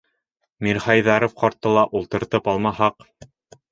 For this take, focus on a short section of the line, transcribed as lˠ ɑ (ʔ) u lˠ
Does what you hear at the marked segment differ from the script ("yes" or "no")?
no